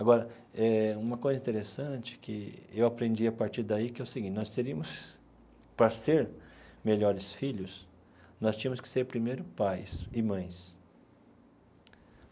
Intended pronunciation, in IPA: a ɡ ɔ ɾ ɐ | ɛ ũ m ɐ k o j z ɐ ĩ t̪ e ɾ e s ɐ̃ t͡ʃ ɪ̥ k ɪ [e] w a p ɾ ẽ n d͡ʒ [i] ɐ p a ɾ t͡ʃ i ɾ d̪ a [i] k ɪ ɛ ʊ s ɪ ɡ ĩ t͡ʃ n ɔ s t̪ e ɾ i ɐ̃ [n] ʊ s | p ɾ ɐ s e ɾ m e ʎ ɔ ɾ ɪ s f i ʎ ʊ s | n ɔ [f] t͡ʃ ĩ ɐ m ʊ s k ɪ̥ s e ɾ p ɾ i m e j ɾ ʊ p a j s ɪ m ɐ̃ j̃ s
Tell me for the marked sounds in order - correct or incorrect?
correct, correct, correct, incorrect, incorrect

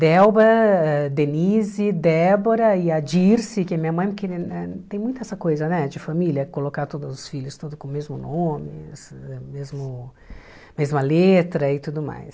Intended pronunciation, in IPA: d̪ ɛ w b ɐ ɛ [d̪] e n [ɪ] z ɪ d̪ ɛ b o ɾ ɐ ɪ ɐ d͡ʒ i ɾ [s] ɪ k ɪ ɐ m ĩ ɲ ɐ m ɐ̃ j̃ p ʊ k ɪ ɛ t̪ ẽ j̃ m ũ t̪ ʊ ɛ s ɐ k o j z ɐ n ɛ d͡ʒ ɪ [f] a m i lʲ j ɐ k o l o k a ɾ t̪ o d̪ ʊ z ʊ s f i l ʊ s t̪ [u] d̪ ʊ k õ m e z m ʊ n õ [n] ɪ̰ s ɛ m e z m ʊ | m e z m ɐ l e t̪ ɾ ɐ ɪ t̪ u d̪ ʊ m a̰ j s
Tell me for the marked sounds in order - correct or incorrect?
correct, incorrect, correct, correct, incorrect, incorrect

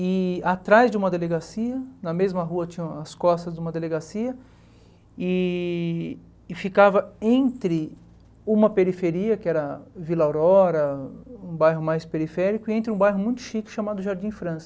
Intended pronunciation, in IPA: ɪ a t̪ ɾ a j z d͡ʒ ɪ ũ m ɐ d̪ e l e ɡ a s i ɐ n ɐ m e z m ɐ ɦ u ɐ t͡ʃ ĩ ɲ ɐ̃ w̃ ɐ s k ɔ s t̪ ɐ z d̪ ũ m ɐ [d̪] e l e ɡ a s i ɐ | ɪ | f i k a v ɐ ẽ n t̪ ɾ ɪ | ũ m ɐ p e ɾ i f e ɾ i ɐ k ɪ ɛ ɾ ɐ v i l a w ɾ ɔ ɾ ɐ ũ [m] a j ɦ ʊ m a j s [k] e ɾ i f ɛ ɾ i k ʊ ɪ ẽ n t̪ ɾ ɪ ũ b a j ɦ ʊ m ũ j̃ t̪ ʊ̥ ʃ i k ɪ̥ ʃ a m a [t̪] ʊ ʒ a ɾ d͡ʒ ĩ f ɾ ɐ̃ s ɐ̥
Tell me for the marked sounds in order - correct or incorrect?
correct, incorrect, incorrect, incorrect

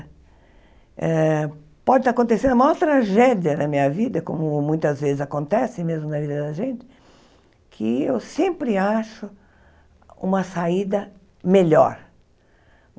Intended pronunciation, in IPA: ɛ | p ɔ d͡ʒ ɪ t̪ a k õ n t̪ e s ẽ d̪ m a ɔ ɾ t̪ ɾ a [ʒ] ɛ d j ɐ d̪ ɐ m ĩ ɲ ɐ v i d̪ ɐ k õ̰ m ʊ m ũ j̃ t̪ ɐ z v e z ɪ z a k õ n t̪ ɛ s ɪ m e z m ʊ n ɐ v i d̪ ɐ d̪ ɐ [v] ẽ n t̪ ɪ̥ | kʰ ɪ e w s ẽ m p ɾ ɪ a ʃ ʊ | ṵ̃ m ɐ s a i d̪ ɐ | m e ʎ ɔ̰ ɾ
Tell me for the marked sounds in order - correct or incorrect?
correct, incorrect

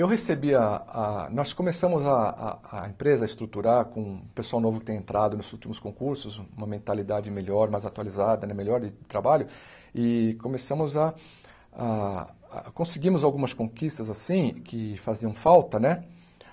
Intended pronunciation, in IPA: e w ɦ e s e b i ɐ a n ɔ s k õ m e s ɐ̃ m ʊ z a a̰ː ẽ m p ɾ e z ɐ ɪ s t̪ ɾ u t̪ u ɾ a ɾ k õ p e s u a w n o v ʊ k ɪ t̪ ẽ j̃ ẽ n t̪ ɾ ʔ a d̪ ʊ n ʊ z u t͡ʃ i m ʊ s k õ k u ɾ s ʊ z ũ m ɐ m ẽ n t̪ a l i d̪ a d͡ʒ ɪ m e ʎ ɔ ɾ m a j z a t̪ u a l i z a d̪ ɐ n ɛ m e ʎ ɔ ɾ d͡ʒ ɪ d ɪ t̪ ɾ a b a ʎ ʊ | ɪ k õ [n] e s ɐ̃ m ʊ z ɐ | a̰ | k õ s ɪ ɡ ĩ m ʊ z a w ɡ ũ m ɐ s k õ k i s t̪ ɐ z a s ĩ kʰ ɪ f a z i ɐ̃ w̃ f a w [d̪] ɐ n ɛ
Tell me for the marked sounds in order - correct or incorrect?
incorrect, incorrect

